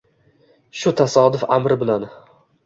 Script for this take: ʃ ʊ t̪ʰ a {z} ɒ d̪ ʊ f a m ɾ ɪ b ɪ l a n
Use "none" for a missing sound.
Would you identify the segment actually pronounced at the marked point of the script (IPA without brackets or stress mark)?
s